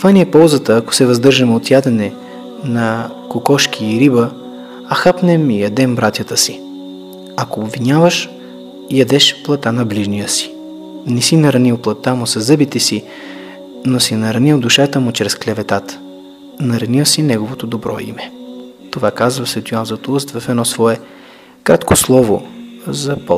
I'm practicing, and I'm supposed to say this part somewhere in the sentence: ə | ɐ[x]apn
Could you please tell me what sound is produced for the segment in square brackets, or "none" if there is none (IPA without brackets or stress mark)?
x